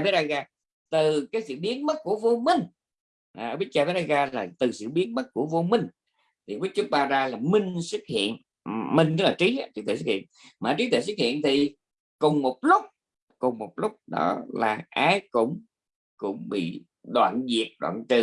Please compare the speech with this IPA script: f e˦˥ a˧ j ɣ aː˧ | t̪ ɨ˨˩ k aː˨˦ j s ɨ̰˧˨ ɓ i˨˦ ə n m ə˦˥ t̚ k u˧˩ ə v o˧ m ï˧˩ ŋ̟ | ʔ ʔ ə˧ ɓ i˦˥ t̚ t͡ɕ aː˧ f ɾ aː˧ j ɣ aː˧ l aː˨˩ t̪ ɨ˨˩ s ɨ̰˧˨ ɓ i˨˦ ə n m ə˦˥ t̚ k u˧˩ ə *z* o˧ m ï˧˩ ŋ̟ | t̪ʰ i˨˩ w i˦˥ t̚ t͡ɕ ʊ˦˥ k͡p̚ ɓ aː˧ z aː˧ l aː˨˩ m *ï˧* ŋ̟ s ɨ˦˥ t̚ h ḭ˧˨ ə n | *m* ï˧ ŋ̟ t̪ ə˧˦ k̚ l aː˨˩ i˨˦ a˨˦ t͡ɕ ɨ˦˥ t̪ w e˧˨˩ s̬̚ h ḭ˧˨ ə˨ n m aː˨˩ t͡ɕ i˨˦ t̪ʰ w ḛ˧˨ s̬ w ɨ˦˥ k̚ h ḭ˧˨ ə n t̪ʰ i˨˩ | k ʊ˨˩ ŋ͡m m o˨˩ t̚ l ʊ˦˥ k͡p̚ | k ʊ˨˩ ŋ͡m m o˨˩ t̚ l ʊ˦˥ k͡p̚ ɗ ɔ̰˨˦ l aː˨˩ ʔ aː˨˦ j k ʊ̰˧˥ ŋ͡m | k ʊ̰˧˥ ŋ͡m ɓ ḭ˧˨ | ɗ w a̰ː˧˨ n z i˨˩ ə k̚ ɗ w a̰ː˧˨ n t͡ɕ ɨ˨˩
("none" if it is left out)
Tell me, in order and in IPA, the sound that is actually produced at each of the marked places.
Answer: v, ï˧, m

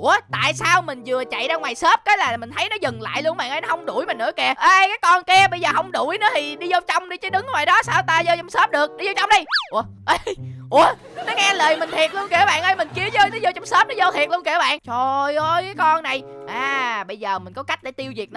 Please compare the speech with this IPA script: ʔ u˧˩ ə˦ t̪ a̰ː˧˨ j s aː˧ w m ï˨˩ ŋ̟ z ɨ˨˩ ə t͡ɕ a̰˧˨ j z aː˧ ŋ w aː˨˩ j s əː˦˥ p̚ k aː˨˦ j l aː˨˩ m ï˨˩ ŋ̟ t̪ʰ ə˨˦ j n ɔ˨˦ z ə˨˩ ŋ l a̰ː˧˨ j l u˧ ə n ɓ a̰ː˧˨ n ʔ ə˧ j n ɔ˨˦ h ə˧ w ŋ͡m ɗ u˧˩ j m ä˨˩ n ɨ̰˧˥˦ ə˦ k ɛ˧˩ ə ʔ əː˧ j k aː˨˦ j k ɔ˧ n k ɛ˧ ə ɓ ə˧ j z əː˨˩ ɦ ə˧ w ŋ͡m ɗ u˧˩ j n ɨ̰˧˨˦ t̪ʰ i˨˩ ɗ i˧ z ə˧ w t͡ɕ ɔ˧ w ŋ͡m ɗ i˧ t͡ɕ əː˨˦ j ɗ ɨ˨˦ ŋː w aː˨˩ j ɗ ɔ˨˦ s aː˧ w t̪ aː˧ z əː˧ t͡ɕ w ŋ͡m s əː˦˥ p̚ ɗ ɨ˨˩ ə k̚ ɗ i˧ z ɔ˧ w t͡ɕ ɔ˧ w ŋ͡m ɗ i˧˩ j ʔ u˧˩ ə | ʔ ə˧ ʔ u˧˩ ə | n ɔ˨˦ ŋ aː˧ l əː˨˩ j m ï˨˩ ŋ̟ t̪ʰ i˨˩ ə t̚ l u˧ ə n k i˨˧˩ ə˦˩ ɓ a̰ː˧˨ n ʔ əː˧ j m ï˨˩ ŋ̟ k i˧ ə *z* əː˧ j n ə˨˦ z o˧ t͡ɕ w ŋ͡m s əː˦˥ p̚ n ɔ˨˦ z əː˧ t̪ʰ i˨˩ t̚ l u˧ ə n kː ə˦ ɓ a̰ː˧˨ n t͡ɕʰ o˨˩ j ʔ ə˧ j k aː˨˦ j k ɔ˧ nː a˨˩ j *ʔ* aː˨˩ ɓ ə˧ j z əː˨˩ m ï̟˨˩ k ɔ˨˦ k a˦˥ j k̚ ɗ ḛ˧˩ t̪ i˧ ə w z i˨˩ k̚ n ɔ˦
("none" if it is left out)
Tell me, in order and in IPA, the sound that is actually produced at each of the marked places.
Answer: z, ʔ

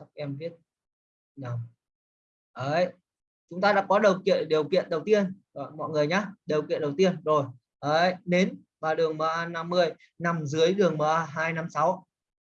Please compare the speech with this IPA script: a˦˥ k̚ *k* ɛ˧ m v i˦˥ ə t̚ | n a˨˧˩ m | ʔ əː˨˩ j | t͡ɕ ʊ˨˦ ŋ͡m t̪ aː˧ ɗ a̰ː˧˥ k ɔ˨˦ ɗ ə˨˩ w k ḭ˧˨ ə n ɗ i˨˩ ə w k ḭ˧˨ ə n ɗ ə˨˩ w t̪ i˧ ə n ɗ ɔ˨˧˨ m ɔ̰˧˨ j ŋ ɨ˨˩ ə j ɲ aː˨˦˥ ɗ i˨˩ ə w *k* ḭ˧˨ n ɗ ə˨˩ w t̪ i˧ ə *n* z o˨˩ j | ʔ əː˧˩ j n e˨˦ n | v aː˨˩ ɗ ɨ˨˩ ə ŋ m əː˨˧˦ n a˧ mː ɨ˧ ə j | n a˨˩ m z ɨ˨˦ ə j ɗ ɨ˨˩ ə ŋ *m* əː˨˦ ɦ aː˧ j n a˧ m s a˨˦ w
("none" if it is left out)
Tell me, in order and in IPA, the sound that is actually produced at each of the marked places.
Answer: ʔ, k, n, m

